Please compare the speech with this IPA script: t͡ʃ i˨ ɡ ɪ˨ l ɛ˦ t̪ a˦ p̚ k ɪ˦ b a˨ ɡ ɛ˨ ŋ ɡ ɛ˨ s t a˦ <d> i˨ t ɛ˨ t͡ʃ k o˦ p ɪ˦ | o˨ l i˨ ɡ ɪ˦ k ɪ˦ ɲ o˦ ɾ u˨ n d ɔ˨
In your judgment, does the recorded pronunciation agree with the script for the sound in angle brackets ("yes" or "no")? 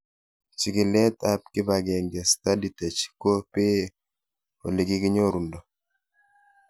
yes